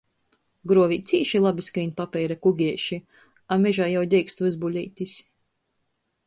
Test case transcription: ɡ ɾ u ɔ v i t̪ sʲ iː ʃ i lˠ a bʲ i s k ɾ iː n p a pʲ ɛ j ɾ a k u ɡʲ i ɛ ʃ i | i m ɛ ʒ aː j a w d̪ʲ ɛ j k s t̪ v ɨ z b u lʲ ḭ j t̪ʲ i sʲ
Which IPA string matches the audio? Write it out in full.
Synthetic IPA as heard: ɡ ɾ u ɔ v i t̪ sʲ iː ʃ i lˠ a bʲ i s k ɾ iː n p a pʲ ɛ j ɾ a k u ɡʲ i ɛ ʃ i | a m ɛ ʒ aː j a w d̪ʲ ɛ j k s t̪ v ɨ z b u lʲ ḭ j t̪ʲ i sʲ